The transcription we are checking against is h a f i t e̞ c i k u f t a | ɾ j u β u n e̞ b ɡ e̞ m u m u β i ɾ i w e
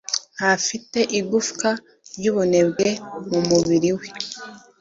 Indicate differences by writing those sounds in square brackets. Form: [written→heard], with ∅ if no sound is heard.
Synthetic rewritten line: h a f i t e̞ [c→ʔ] i [k→ɡ] u f [t→k] a | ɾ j u β u n e̞ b ɡ e̞ m u m u β i ɾ i w e